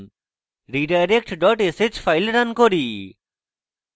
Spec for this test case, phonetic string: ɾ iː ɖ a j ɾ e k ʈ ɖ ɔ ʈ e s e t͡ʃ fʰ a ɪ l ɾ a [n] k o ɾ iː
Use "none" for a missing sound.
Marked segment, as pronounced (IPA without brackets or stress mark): n